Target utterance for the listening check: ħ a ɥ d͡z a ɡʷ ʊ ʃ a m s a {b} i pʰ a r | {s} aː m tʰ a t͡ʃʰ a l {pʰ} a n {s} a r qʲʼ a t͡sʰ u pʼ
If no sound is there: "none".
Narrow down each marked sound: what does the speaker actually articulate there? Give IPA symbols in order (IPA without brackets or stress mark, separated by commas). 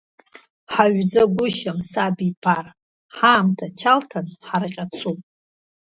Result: b, ħ, tʰ, ħ